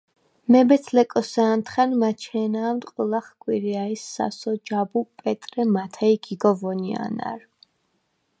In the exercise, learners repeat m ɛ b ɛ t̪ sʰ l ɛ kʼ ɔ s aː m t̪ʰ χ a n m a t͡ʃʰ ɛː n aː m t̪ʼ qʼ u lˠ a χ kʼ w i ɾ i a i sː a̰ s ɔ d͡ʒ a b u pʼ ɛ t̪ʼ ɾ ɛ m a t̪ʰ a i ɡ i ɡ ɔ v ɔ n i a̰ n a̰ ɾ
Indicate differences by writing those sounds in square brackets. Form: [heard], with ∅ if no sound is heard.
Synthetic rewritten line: m ɛ b ɛ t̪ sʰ l ɛ kʼ ɔ s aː [n] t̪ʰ χ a n m a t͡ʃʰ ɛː n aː m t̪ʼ qʼ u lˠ a χ kʼ w i ɾ i a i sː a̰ s ɔ d͡ʒ a b u pʼ ɛ t̪ʼ ɾ ɛ m a t̪ʰ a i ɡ i ɡ ɔ v ɔ n i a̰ n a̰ ɾ